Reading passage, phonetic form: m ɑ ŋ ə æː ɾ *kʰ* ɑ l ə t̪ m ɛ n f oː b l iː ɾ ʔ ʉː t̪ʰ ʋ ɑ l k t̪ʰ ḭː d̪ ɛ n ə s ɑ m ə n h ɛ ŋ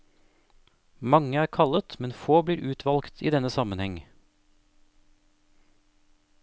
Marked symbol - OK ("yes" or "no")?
yes